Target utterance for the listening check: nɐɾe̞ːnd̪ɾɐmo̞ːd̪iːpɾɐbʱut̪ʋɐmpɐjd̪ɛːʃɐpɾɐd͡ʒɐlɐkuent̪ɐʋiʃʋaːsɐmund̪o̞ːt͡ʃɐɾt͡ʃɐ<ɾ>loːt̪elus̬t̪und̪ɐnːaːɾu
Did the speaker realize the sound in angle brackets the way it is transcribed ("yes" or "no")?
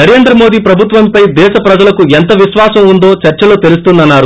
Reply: no